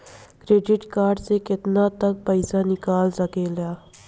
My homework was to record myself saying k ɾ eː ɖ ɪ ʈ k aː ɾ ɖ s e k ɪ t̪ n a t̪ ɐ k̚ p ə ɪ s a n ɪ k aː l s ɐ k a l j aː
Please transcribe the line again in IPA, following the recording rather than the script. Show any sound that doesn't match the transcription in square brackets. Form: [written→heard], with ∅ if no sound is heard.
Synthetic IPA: k ɾ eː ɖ ɪ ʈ k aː ɾ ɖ s e k ɪ t̪ n a t̪ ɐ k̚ p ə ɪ s a n ɪ k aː l s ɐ k [a→e] l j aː

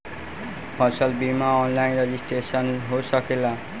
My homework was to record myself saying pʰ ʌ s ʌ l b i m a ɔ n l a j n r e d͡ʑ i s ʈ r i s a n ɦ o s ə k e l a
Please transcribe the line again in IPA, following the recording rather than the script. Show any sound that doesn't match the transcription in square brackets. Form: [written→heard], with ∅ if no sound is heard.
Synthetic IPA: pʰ ʌ s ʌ l b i m a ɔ n l a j n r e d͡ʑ i s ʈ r [i→e] s [a→ʌ] n ɦ o s [ə→ʌ] k e l a

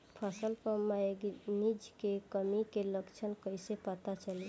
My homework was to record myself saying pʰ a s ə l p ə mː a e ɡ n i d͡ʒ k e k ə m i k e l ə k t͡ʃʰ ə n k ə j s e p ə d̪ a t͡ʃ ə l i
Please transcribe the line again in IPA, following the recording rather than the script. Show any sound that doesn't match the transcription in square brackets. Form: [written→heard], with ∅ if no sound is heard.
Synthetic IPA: pʰ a s ə l p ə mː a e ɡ n i d͡ʒ k e k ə m i k e l ə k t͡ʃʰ ə n k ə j s e p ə [d̪→t̪] a t͡ʃ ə l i

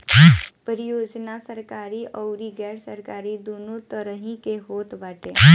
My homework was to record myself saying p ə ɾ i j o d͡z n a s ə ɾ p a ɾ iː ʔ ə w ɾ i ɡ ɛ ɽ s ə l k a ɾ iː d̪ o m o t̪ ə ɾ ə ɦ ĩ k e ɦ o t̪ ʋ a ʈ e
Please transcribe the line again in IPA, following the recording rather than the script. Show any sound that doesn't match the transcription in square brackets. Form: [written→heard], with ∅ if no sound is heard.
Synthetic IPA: p ə ɾ i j o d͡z n a s ə ɾ [p→k] a ɾ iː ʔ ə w ɾ i ɡ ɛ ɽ s ə [l→ɾ] k a ɾ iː d̪ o [m→n] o t̪ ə ɾ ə ɦ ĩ k e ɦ o t̪ ʋ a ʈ e

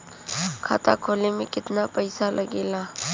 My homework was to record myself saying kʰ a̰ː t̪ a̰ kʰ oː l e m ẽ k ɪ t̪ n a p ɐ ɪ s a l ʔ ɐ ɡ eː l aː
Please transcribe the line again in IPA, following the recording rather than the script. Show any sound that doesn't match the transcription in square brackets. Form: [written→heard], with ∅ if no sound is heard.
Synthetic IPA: kʰ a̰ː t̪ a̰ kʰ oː l e m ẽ k ɪ t̪ n a p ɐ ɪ s a l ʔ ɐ ɡ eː l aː

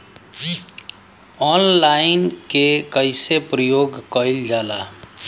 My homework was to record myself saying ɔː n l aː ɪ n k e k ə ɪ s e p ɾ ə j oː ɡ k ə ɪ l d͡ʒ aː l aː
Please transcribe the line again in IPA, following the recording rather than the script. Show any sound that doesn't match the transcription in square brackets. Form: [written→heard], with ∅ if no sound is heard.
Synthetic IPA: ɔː n l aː ɪ n k e k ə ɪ s e p ɾ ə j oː ɡ k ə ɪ l d͡ʒ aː l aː

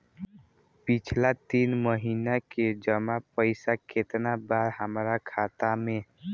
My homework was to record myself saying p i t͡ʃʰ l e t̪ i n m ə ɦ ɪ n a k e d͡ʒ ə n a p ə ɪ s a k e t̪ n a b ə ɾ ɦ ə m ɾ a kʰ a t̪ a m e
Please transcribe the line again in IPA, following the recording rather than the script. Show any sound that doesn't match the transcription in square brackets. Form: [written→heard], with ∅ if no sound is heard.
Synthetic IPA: p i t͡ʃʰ l [e→a] t̪ i n m ə ɦ [ɪ→i] n a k e d͡ʒ ə [n→m] a p ə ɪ s a k e t̪ n a b [ə→a] ɾ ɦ ə m ɾ a kʰ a t̪ a m e

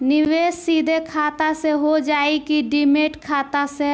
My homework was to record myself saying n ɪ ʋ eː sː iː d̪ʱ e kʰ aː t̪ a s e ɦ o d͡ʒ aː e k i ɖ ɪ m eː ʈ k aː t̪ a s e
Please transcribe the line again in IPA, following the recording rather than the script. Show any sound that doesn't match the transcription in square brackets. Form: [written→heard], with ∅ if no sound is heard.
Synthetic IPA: n ɪ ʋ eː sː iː d̪ʱ e kʰ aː t̪ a s e ɦ o d͡ʒ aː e k i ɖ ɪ m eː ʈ [k→kʰ] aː t̪ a s e

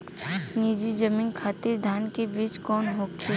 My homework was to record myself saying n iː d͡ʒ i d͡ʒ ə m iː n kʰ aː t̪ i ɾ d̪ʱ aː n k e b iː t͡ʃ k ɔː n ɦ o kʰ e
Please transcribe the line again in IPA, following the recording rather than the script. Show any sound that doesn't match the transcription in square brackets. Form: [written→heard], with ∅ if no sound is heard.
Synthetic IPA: n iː d͡ʒ i d͡ʒ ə m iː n kʰ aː t̪ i ɾ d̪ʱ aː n k e b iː t͡ʃ k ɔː n ɦ o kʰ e

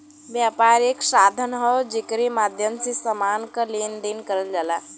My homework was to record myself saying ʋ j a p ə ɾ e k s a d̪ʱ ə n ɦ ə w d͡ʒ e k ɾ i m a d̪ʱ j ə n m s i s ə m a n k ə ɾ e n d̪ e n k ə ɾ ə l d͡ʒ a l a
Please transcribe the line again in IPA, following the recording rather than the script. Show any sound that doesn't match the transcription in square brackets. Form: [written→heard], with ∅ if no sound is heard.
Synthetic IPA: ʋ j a p [ə→a] ɾ e k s a d̪ʱ ə n ɦ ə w d͡ʒ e k ɾ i m a d̪ʱ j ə [n→∅] m s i s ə m a n k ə [ɾ→l] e n d̪ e n k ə ɾ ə l d͡ʒ a l a

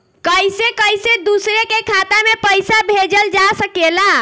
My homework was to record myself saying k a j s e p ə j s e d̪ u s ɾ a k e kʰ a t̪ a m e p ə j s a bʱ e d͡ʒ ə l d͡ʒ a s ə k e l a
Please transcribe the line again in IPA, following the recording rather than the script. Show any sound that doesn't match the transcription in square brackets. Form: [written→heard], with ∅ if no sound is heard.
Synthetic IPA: k [a→ə] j s e [p→k] ə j s e d̪ u s ɾ [a→e] k e kʰ a t̪ a m e p ə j s a bʱ e d͡ʒ ə l d͡ʒ a s ə k e l a

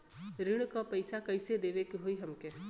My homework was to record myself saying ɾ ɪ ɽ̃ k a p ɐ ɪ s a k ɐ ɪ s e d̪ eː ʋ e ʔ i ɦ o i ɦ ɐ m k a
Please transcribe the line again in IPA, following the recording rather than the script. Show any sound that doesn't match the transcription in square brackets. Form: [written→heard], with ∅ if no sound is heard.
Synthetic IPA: ɾ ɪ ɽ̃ k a p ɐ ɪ s a k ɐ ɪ s e d̪ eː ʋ e [ʔ→k] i ɦ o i ɦ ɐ m k [a→e]

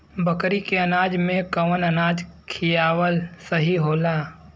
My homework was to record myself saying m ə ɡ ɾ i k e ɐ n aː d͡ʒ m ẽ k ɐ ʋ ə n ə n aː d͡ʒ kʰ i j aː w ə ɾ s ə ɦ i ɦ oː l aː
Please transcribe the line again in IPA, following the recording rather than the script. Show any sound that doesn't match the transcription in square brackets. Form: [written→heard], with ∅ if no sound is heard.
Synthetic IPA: [m→b] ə [ɡ→k] ɾ i k e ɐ n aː d͡ʒ m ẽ k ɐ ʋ ə n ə n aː d͡ʒ kʰ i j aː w ə [ɾ→l] s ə ɦ i ɦ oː l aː

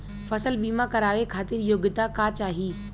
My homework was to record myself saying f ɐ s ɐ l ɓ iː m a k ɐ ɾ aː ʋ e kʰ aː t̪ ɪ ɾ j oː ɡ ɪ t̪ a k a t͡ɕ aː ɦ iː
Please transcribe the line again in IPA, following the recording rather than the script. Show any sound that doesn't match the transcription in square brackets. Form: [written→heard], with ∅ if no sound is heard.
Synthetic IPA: f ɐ s [ɐ→ə] l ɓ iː m a k ɐ ɾ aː ʋ e kʰ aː t̪ ɪ ɾ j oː ɡ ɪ t̪ a k a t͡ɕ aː ɦ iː

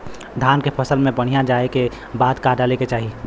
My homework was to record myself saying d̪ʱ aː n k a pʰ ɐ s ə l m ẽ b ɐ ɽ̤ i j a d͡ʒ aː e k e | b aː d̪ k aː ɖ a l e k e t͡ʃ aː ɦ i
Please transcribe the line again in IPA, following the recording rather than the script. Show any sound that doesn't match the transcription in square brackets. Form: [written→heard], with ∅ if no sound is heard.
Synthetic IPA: d̪ʱ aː n k [a→e] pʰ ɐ s ə l m ẽ b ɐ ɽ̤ i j a d͡ʒ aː e k e | b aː d̪ k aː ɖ a l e k e t͡ʃ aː ɦ i

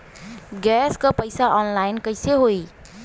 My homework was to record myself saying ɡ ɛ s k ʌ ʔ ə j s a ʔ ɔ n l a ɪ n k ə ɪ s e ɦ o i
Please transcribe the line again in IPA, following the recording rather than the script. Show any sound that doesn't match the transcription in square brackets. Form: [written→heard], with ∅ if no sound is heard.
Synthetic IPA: ɡ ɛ s k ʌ [ʔ→p] ə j s a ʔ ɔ n l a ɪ n k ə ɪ s e ɦ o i

